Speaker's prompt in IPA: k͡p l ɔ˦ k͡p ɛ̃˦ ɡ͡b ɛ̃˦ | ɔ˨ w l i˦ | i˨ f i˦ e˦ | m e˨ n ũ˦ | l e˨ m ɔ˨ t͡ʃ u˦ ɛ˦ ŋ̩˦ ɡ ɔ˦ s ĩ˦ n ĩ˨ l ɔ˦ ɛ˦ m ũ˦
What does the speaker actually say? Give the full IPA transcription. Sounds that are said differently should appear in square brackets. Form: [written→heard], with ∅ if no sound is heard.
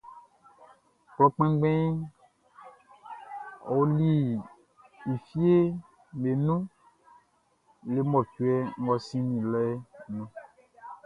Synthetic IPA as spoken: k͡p l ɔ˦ k͡p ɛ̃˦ ɡ͡b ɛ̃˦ | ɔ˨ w l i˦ | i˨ f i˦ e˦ | m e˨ n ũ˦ | l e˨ m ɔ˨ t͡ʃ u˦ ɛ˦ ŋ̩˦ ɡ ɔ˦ s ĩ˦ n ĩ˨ l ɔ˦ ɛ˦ [m→n] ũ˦